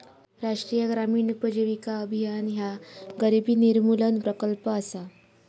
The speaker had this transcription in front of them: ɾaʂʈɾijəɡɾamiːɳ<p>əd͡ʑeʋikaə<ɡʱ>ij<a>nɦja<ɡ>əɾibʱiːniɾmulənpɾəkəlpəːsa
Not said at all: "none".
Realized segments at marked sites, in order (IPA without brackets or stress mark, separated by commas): p, bʱ, a, ɡ